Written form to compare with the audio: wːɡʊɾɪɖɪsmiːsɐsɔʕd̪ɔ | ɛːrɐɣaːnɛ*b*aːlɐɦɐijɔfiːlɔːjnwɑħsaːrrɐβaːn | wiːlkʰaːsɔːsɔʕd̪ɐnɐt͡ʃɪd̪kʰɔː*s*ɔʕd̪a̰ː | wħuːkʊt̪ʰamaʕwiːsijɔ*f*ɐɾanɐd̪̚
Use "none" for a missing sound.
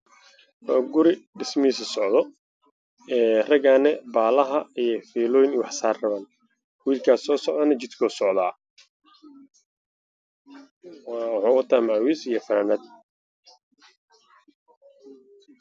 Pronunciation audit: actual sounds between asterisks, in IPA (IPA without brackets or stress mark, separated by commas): b, s, f